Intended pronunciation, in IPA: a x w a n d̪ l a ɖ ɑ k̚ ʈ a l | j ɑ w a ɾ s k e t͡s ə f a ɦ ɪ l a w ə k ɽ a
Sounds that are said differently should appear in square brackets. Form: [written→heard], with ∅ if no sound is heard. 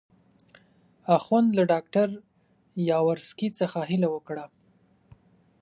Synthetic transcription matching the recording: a x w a n d̪ l a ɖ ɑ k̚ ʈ a [l→ɾ] | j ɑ w a ɾ s k [e→i] t͡s ə [f→x] a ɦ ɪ l a w ə k ɽ a